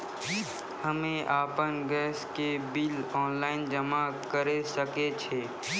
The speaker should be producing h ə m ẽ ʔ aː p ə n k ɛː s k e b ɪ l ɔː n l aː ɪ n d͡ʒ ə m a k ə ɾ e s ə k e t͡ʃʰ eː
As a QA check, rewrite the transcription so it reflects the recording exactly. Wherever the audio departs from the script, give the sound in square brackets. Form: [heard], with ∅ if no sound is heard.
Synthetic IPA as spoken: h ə m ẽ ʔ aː p ə n [ɡ] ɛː s k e b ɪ l ɔː n l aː ɪ n d͡ʒ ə m a k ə ɾ e s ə k e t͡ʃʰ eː